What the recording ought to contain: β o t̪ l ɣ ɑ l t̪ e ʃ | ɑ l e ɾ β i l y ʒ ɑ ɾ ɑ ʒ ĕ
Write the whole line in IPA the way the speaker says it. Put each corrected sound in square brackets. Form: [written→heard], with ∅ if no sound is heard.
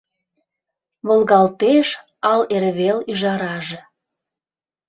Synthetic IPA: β o [t̪→∅] l ɣ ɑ l t̪ e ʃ | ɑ l e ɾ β [i→e] l y ʒ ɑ ɾ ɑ ʒ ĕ

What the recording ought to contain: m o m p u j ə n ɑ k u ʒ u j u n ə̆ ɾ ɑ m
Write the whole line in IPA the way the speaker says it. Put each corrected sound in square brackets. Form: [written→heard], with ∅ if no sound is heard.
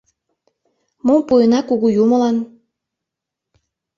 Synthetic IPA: m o m p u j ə n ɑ k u [ʒ→ɣ] u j u [n→m] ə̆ [ɾ→l] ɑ [m→n]

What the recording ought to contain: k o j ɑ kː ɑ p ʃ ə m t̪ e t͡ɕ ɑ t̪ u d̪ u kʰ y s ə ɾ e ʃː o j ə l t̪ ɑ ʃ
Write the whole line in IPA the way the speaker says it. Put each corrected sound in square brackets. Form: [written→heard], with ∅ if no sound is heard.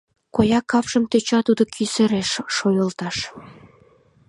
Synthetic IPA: k o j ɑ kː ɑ p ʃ ə m t̪ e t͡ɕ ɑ t̪ u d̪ [u→o] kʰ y s ə ɾ e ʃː o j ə l t̪ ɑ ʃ

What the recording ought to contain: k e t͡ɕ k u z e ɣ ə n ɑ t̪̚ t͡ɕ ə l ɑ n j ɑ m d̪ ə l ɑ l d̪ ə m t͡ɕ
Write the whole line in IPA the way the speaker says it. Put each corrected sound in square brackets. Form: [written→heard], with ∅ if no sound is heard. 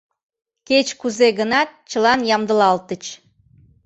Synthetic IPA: k e t͡ɕ k u z e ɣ ə n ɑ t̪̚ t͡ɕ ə l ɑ n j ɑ m d̪ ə l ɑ l [d̪→t̪] ə [m→∅] t͡ɕ

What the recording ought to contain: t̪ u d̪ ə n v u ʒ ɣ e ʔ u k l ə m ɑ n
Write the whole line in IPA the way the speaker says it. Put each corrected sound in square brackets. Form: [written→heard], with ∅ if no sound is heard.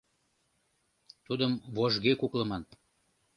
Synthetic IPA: t̪ u d̪ ə [n→m] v [u→o] ʒ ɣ e [ʔ→k] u k l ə m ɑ n

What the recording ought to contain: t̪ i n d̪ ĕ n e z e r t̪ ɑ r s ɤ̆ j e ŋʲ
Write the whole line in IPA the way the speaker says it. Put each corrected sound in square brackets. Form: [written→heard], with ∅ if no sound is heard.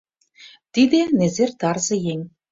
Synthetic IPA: t̪ i [n→∅] d̪ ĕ n e z e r t̪ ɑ r [s→z] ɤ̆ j e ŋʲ

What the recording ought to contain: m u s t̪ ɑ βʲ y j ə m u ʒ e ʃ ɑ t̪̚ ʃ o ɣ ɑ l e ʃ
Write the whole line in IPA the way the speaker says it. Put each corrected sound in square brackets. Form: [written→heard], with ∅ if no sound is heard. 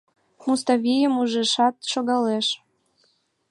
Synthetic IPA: m u s t̪ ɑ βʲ [y→i] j ə m u ʒ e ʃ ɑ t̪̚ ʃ o ɣ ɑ l e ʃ

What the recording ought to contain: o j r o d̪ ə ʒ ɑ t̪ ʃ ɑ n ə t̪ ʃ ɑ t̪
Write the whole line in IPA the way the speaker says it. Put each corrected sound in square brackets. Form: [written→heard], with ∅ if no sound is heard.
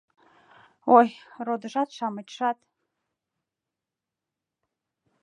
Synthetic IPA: o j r o d̪ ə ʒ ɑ t̪ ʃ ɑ [n→m] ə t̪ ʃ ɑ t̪

